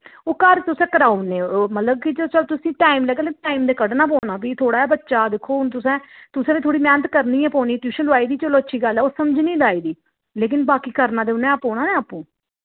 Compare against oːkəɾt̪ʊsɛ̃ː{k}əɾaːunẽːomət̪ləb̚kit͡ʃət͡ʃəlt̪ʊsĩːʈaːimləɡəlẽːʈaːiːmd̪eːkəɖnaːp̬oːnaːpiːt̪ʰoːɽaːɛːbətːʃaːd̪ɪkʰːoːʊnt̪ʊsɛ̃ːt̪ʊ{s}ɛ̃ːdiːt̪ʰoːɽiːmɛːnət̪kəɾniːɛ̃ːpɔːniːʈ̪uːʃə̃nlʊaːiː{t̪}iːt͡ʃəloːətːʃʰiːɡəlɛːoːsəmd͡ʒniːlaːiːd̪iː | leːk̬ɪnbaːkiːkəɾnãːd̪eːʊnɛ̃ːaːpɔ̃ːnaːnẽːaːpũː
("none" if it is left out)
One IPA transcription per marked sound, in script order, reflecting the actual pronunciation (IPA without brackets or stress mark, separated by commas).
k, s, d̪